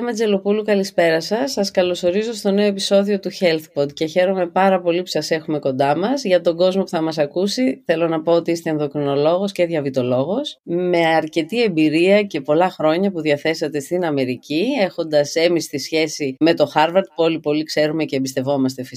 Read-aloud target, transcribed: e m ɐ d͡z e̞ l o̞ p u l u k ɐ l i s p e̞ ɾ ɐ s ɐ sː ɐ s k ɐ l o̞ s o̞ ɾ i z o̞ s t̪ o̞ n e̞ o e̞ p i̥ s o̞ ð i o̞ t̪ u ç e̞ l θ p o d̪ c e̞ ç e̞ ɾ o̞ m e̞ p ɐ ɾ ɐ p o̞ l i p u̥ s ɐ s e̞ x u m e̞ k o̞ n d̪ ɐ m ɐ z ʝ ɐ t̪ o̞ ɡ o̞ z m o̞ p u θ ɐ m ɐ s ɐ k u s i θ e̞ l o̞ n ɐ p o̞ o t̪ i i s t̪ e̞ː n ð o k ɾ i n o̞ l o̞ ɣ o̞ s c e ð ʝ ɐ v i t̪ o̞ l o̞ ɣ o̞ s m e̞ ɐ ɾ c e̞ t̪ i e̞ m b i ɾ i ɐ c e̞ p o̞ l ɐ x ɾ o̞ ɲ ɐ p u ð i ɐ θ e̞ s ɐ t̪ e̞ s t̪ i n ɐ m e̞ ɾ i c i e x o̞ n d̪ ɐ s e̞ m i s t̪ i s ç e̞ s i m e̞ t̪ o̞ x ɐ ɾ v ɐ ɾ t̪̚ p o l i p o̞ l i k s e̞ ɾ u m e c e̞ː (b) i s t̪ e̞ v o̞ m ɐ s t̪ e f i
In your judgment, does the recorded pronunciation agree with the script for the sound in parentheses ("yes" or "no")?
yes